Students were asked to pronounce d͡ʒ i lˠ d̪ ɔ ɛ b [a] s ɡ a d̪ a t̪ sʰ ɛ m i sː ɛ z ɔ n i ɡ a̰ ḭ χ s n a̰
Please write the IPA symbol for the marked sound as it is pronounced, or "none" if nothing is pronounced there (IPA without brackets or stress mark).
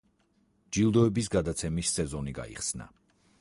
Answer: i